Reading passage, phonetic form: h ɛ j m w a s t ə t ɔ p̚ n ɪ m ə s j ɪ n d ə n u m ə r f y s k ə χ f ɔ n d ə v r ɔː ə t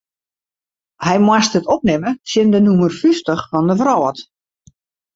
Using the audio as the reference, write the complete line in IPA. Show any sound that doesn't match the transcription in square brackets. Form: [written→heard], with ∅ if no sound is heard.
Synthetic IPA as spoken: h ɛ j m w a s t ə t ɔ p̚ n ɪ m ə s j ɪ n d ə n u m ə r f y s [k→t] ə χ f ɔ n d ə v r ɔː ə t